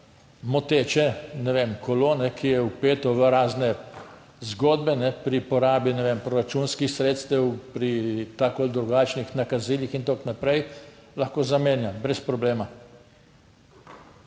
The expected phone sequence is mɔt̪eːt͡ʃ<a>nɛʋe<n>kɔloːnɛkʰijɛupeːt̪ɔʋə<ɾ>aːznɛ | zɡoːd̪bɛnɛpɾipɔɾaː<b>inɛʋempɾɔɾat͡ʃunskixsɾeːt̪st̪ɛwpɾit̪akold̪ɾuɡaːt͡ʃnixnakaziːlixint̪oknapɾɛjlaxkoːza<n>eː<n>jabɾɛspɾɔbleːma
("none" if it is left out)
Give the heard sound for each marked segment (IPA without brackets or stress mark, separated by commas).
ɛ, m, ɾ, b, m, n